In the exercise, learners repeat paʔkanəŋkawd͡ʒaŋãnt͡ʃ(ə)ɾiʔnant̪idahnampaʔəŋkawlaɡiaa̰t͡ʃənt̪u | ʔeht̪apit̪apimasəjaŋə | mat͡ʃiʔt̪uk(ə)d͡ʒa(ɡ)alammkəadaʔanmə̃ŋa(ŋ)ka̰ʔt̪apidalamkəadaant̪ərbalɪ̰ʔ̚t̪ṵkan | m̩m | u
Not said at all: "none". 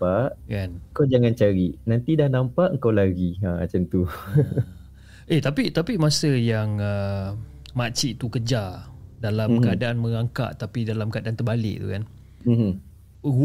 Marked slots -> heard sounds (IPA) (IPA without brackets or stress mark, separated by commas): a, ə, d, ŋ